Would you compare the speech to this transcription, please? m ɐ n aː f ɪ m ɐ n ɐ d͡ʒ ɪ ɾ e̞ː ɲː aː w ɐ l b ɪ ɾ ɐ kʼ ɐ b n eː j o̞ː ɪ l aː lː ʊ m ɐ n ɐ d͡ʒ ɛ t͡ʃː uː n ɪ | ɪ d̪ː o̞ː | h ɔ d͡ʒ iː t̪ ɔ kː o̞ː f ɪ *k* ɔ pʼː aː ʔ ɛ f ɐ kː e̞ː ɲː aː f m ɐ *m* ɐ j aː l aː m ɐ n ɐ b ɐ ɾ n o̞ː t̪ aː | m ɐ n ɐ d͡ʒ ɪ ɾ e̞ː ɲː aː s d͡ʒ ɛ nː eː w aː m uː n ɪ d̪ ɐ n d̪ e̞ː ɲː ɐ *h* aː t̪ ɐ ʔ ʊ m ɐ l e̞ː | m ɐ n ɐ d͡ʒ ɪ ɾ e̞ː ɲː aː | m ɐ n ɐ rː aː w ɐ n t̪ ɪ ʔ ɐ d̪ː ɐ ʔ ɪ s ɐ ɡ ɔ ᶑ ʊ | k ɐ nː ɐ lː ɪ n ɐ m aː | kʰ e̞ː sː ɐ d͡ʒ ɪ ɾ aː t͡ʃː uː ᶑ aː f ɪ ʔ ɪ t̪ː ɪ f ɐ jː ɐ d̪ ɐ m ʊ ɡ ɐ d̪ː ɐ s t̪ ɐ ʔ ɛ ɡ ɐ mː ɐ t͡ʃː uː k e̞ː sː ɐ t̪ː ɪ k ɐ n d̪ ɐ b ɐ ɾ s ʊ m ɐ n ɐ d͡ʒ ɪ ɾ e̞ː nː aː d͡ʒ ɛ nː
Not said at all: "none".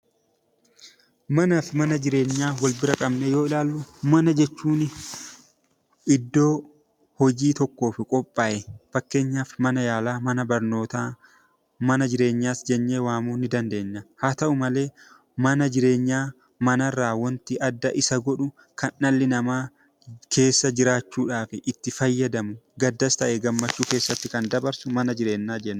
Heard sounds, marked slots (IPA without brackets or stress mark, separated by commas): kʼ, n, h